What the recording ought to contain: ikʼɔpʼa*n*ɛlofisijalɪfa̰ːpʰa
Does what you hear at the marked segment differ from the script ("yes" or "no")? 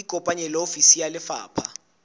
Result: yes